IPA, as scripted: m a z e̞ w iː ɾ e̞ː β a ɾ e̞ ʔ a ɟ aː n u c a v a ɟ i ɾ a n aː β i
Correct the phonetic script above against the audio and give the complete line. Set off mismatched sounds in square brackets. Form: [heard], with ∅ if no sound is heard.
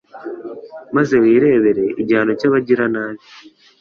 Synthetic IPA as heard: m a z e̞ w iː ɾ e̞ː β [e] ɾ e̞ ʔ [i] ɟ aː n [o] c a [β] a ɟ i ɾ a n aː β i

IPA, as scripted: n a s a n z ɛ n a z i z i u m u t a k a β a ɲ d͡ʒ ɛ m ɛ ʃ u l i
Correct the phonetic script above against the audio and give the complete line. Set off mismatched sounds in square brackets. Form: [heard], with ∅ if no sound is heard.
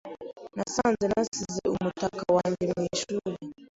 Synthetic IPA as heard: n a s a n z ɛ n a [s] i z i u m u t a k a [w] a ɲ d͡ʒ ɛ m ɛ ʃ u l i

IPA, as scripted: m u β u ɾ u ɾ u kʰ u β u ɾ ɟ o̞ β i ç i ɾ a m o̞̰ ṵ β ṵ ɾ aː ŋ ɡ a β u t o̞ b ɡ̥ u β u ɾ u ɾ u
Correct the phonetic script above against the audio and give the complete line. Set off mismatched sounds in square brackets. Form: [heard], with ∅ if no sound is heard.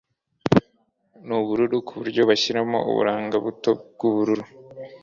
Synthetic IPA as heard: [n] u β u ɾ u ɾ u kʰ u β u ɾ ɟ o̞ β [a] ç i ɾ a m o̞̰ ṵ β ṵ ɾ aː ŋ ɡ a β u t o̞ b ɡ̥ u β u ɾ u ɾ u

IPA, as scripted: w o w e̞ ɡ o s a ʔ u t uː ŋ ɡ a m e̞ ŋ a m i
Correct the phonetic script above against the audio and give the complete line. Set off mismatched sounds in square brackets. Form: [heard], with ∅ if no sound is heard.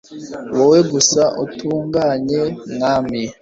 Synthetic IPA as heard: w o w e̞ ɡ [u] s a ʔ u t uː ŋ ɡ a [ɲ] e̞ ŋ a m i

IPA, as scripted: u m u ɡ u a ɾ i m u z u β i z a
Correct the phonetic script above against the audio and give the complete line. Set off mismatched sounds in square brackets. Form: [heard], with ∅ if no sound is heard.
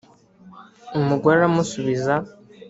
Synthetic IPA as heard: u m u ɡ [w] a ɾ [a] m u [s] u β i z a

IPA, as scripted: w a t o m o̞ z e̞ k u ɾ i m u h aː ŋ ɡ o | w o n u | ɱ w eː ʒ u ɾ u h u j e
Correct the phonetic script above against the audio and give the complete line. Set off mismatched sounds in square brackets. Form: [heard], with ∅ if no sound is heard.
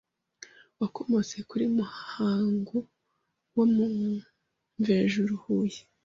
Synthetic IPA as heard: w a [k] o m o̞ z e̞ k u ɾ i m u h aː ŋ ɡ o | w o [m] u | ɱ [v] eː ʒ u ɾ u h u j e

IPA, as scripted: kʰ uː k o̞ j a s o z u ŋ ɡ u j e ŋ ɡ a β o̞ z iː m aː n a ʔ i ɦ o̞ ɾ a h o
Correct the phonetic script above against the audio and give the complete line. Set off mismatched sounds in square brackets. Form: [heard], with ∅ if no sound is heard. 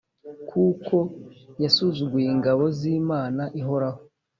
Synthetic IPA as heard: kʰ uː k o̞ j a s [u] z u [∅] ɡ u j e ŋ ɡ a β o̞ z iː m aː n a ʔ i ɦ o̞ ɾ a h o

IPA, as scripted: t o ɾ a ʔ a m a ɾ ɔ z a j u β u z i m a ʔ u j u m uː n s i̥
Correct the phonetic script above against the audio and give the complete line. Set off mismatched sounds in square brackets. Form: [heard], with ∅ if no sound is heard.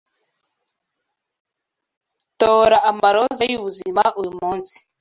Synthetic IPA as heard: t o ɾ a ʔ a m a ɾ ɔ z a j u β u z i m a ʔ u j u m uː n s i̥

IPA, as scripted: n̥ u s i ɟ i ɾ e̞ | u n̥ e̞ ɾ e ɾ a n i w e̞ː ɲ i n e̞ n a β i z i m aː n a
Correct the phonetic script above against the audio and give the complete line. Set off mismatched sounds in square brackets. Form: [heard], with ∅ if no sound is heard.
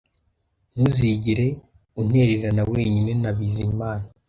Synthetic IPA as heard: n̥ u [z] i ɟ i ɾ e̞ | u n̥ e̞ ɾ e ɾ a n [a] w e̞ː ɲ i n e̞ n a β i z i m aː n a

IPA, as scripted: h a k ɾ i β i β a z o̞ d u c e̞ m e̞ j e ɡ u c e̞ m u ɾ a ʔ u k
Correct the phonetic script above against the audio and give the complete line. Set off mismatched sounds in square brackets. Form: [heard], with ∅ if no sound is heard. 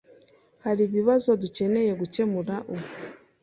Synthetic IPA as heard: h a [∅] ɾ i β i β a z o̞ d u c e̞ [n] e̞ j e ɡ u c e̞ m u ɾ a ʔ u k

